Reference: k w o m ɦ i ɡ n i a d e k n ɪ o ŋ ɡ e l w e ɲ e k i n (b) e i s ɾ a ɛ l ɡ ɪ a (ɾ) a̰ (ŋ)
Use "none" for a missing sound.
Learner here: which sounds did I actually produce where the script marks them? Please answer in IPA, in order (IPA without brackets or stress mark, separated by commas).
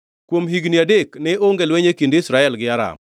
d, ɾ, m